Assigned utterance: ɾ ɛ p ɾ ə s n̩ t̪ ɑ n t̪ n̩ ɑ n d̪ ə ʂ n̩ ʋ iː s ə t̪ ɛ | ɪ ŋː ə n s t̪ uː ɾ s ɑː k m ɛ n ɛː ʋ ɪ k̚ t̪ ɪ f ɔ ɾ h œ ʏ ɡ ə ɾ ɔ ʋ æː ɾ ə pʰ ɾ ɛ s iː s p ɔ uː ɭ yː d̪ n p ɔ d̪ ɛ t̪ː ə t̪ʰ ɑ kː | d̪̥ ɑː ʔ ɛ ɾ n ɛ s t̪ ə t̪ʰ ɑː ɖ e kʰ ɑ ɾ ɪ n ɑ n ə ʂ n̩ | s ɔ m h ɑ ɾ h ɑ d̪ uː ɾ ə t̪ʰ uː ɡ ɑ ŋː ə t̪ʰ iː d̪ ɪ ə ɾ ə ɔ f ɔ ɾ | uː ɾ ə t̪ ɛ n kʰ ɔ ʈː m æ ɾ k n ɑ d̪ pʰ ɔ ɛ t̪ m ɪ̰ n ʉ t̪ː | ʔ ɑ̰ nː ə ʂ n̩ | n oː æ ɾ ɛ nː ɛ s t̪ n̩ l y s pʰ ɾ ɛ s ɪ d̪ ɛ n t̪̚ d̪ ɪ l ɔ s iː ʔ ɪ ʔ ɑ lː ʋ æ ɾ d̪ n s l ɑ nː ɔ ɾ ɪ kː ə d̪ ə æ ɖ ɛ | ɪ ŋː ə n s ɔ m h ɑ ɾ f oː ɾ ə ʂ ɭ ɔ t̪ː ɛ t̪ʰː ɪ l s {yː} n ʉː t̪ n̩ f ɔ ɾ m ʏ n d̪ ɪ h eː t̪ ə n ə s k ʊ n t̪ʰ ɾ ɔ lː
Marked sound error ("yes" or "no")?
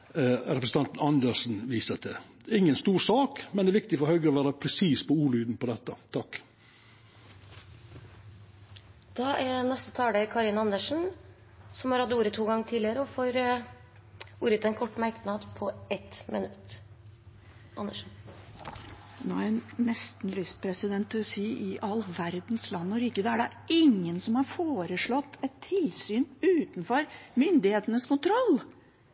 no